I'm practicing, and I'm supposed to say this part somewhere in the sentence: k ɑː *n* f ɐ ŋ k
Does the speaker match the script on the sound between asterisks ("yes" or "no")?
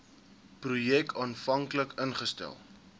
yes